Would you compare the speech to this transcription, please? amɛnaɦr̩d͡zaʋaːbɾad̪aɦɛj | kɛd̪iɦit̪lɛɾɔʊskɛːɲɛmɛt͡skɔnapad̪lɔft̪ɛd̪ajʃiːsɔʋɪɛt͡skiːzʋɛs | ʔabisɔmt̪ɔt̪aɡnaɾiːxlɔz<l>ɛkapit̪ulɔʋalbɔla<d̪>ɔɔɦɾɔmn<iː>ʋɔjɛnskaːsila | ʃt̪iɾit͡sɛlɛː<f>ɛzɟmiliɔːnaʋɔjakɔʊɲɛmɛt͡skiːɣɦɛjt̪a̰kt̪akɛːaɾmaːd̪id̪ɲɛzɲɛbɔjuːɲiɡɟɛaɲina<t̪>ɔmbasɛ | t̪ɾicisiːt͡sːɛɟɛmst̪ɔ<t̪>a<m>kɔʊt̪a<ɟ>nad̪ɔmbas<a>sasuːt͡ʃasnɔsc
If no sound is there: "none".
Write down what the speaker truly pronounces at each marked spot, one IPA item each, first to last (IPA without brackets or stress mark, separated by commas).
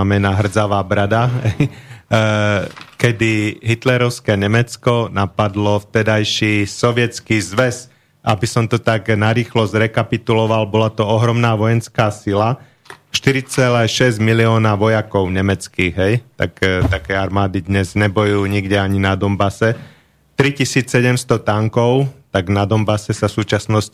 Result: ɾ, t̪, aː, ʃ, d̪, t̪, ŋ, ɡ, ɛ